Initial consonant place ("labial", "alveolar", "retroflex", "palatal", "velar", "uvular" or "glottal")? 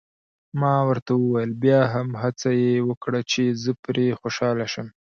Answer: labial